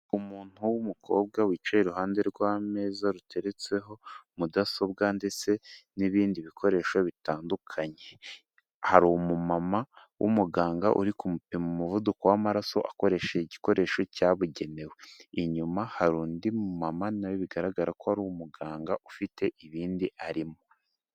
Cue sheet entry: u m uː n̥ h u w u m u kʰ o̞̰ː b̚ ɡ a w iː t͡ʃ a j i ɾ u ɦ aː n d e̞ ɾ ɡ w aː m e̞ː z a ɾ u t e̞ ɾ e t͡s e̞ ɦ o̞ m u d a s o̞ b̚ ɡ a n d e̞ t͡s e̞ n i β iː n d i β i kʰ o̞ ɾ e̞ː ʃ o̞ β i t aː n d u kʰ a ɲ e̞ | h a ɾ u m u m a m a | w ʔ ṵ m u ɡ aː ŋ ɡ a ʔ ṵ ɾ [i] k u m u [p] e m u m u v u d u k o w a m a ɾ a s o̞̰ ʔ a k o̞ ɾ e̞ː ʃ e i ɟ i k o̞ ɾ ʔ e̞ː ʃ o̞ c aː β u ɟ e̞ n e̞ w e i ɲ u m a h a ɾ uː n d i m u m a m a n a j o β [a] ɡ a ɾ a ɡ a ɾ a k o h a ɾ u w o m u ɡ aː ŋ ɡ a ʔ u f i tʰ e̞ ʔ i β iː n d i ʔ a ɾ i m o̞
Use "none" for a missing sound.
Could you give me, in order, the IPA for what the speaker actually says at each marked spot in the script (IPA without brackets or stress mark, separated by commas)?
i, p, i